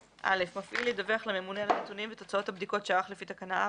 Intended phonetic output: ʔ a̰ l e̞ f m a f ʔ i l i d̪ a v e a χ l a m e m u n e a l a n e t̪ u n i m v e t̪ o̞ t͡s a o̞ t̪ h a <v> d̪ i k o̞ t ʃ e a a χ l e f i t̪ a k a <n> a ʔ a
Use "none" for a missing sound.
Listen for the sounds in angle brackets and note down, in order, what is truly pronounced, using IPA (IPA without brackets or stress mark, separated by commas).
b, n